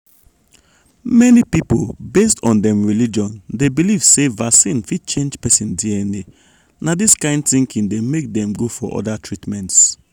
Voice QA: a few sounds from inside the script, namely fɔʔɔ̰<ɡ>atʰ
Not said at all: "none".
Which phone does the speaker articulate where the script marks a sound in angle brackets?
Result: d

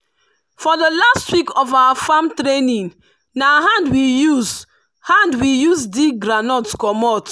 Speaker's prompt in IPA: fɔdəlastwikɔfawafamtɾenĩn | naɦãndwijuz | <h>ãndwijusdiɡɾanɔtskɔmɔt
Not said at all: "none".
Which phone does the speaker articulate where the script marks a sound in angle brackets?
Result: h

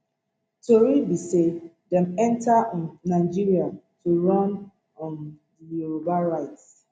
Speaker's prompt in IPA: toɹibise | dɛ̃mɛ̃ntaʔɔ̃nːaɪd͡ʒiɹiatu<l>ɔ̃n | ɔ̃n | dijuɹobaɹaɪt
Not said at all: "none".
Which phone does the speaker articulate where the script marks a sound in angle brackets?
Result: ɹ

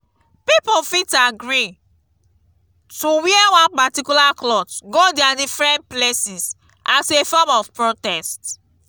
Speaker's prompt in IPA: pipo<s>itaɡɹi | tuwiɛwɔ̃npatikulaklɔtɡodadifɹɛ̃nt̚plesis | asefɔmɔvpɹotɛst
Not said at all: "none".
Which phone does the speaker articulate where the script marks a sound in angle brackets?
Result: f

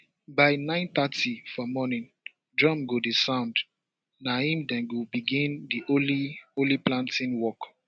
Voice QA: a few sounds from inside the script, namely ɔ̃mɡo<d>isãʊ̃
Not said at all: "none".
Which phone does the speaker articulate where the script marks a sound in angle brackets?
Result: d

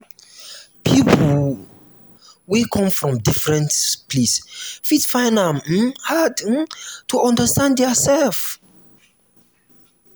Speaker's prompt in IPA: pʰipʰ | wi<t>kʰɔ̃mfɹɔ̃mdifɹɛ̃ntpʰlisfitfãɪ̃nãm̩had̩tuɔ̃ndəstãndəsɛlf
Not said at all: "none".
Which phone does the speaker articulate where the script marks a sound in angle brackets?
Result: none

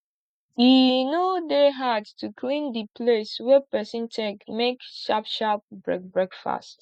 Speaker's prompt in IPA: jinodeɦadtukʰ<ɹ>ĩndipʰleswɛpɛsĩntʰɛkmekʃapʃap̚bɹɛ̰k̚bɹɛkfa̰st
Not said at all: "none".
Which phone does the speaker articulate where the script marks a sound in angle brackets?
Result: l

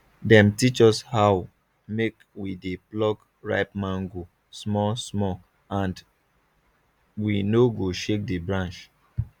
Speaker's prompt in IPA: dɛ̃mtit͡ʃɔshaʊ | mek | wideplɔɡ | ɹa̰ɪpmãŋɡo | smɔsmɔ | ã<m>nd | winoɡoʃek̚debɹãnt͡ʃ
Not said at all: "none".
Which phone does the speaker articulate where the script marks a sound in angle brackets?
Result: none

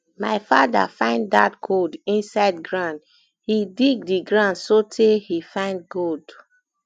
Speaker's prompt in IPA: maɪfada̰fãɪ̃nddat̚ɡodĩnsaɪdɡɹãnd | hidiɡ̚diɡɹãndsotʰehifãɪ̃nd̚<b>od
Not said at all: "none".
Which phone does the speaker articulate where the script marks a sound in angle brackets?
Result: ɡ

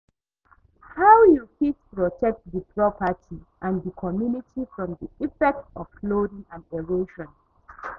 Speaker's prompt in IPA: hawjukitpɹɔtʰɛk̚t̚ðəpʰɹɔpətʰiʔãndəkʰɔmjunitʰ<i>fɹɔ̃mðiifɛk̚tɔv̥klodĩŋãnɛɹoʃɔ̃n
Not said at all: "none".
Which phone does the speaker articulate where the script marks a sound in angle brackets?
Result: i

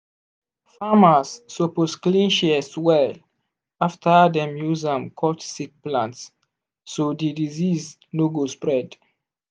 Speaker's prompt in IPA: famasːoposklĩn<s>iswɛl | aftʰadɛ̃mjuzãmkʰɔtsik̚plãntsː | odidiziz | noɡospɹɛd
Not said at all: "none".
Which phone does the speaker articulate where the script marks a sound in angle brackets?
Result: ʃ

